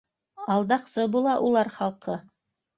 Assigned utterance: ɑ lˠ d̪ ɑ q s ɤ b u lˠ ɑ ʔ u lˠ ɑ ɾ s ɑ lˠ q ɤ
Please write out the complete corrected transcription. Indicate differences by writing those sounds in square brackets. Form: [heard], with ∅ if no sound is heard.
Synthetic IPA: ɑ lˠ d̪ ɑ q s ɤ b u lˠ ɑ ʔ u lˠ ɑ ɾ [χ] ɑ lˠ q ɤ